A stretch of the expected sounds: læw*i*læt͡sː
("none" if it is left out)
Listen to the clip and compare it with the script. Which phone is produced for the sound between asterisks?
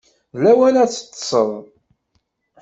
æ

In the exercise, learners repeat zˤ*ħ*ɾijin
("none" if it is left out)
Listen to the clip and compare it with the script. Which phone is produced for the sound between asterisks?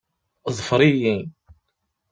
f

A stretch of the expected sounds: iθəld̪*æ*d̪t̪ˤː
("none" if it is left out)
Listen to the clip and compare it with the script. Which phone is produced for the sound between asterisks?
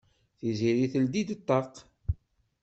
i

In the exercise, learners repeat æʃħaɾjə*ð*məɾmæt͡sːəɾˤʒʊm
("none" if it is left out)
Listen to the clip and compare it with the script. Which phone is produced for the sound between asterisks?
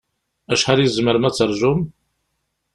z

